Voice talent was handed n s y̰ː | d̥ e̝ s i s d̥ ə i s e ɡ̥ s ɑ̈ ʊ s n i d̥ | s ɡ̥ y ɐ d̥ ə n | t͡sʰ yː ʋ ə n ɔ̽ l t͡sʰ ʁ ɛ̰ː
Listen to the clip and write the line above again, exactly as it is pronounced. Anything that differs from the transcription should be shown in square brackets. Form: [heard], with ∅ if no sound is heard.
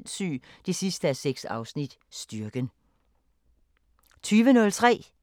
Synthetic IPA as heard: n s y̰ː | d̥ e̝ s i s d̥ ə [æ] s e ɡ̥ s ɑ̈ ʊ s n i d̥ | s [d̥] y ɐ [ɡ̥] ə n | t͡sʰ yː ʋ ə n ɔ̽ l t͡sʰ ʁ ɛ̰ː

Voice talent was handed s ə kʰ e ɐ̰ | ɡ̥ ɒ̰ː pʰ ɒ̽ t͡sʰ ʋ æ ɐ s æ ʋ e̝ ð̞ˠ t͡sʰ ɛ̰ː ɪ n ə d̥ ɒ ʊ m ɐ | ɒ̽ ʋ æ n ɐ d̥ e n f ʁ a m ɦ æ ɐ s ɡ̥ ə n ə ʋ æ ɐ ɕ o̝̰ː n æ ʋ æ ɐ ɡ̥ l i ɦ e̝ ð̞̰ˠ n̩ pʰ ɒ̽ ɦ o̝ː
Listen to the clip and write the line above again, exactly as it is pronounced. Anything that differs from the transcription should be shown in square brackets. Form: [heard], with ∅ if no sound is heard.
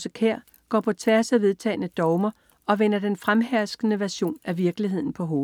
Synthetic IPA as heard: s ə kʰ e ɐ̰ | ɡ̥ ɒ̰ː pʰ ɒ̽ t͡sʰ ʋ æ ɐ s æ ʋ e̝ ð̞ˠ t͡sʰ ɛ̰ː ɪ n ə d̥ ɒ ʊ m ɐ | ɒ̽ ʋ [e] n ɐ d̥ e n f ʁ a m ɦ æ ɐ s ɡ̥ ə n ə ʋ æ ɐ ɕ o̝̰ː n æ ʋ [i] ɐ ɡ̥ l i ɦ e̝ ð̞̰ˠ n̩ pʰ ɒ̽ ɦ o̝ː

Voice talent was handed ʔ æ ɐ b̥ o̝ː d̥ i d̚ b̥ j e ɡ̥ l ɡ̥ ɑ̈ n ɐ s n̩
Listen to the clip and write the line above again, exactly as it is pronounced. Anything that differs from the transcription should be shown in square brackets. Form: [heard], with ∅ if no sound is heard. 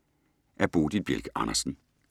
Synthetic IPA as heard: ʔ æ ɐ b̥ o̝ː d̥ i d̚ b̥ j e [∅] l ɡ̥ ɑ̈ n ɐ s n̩

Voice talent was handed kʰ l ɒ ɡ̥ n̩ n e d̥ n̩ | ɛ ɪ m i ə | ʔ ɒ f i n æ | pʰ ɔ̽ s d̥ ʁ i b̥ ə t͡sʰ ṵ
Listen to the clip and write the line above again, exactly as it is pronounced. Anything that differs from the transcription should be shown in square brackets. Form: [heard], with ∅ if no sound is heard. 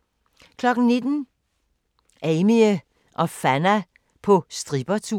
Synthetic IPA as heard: kʰ l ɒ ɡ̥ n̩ n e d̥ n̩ | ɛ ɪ m i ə | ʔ ɒ f [æ] n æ | pʰ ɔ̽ s d̥ ʁ i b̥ [ɐ] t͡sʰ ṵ

